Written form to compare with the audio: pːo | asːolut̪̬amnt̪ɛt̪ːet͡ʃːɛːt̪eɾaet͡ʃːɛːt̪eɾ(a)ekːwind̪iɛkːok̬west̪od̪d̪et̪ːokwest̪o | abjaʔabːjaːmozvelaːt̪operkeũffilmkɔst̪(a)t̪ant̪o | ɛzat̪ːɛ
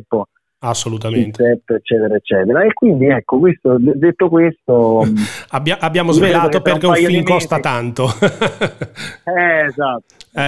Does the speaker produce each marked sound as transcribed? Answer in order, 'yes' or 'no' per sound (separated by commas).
yes, yes